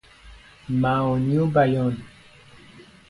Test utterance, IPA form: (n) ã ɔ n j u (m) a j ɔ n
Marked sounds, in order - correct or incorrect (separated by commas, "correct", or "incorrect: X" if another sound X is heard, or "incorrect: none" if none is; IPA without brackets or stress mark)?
incorrect: m, incorrect: b